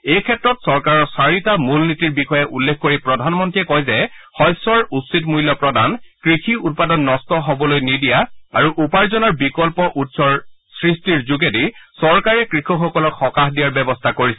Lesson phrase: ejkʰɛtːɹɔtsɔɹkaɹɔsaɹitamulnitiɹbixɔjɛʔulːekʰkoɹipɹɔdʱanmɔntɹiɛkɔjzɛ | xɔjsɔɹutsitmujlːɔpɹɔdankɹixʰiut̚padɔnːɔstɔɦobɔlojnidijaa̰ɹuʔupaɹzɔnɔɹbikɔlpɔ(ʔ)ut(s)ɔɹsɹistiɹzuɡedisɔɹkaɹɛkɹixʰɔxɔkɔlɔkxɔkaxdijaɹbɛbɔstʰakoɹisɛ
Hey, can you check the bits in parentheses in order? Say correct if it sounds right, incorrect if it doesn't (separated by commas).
correct, correct